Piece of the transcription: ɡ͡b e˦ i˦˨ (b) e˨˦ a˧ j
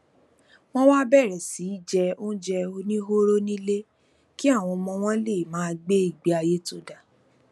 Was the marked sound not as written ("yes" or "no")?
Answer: yes